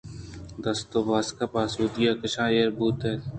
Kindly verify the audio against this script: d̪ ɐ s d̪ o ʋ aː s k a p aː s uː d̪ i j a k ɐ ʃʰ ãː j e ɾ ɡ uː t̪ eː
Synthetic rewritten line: d̪ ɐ s t̪ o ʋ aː s k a p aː s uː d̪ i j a k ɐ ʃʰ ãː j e ɾ b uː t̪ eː